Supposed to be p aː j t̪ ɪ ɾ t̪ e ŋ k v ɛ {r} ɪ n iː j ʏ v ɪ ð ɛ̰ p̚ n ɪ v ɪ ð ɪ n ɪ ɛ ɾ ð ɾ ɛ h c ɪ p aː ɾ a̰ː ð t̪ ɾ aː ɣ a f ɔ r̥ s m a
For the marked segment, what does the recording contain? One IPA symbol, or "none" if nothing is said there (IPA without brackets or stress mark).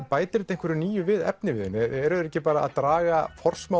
ɾ